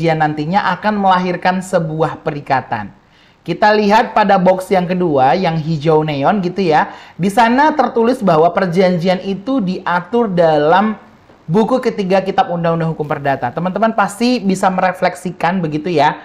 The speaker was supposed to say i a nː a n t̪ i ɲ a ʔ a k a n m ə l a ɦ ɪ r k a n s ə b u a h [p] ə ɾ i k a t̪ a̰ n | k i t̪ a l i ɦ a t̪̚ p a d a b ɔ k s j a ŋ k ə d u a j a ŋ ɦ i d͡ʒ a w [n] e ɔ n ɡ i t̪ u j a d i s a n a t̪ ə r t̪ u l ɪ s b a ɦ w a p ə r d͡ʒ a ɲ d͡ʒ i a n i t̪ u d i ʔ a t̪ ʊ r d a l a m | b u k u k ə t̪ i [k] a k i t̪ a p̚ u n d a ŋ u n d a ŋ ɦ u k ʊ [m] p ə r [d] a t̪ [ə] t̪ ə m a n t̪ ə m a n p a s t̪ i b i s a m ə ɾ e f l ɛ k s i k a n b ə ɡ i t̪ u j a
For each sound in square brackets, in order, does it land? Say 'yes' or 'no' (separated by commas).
yes, yes, no, yes, yes, no